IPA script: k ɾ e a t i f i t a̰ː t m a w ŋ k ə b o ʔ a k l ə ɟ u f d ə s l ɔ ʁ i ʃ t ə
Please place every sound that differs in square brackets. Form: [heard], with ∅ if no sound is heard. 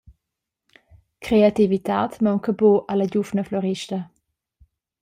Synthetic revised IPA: k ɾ e a t i [v] i t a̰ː t m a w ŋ k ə b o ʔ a [∅] l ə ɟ u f [n] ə [f] l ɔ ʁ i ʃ t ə

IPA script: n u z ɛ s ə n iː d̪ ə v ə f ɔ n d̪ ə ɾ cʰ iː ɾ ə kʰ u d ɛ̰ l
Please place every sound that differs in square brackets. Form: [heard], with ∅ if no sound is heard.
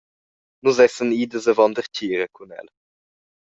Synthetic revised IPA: n u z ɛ s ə n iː d̪ ə [z] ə [v] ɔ n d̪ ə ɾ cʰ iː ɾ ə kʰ u [n] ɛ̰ l

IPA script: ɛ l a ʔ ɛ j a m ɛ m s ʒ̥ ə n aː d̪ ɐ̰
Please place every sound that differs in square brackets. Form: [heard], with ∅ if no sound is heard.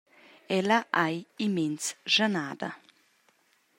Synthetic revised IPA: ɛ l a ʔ [a] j [i] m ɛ [n] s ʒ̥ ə n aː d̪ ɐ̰

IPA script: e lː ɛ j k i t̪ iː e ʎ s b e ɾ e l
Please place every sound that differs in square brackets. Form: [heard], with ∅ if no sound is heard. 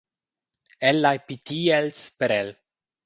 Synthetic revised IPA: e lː [a] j [p] i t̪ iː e [l] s [p] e ɾ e l

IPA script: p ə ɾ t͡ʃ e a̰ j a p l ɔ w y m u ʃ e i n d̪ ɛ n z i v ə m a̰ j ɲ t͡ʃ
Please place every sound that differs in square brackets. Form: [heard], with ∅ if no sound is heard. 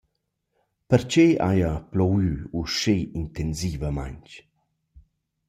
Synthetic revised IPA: p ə ɾ t͡ʃ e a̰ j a p l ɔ w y [∅] u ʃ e i n [t̪] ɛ n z i v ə m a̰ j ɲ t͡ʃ

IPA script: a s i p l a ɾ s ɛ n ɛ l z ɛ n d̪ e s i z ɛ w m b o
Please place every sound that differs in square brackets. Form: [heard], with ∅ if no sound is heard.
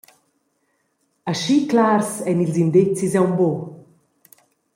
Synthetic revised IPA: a [ʃ] i [k] l a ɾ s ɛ n [i] l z [i] n d̪ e [t͡s] i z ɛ w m b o

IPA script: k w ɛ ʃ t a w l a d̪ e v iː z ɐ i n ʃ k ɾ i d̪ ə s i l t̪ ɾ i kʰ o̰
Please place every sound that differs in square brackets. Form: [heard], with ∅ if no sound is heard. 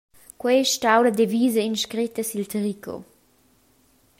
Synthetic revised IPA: k w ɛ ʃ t a w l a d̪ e v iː z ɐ i n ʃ k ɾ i [t̪] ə s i l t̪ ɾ i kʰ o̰

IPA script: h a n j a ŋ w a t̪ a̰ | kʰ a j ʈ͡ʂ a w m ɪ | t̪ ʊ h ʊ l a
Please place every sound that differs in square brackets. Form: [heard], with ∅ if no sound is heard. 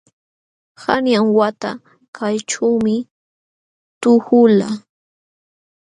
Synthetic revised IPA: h a n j a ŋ w a t̪ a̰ | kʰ a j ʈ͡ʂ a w m ɪ | t̪ ʊ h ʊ l a

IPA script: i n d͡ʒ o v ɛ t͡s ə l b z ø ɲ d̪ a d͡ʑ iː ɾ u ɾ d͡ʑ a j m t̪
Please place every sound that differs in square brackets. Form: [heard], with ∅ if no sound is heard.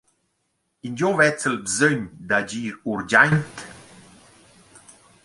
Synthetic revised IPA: i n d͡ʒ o v ɛ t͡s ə l b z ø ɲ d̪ a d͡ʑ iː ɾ u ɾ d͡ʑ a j [n] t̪

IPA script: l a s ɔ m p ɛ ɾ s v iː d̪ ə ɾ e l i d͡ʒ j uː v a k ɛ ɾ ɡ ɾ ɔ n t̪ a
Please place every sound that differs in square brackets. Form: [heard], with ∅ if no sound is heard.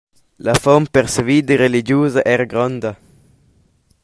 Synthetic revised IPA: l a [f] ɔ m p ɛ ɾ s v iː d̪ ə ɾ e l i d͡ʒ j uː [z] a [ʔ] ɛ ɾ ɡ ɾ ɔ n [d̪] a

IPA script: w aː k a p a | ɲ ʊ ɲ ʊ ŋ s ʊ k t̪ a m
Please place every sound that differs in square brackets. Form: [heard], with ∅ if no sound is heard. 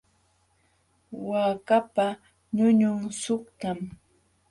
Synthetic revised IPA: w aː k a p a | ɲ ʊ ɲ ʊ ŋ s ʊ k t̪ a m

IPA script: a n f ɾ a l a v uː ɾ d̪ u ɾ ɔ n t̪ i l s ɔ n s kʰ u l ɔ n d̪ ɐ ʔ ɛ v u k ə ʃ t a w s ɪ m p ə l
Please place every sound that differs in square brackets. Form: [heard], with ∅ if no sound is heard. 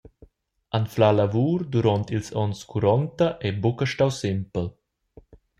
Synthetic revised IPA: a n f [l] a l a v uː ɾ d̪ u ɾ ɔ n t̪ i l s ɔ n s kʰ u [ɾ] ɔ n [t̪] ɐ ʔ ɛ [b] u k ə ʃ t a w s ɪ m p ə l

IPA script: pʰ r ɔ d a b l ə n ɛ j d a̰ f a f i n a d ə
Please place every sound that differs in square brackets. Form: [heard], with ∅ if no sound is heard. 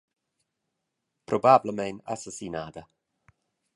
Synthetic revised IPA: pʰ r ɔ [b] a b l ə [m] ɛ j [n] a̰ [s] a [s] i n a d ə

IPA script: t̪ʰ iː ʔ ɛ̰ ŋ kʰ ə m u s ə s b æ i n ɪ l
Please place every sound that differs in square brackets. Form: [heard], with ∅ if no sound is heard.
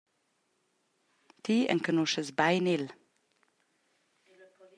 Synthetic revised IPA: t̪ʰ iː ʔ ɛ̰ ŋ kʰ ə [n] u [ʃ] ə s b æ [ɪ] n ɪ l

